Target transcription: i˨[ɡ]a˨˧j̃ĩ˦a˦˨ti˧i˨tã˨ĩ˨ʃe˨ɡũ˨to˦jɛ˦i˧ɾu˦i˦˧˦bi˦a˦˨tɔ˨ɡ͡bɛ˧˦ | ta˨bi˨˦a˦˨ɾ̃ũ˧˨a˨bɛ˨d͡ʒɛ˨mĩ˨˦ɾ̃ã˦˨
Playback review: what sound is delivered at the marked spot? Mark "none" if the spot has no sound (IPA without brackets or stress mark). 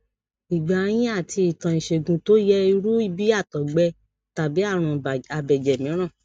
ɡ͡b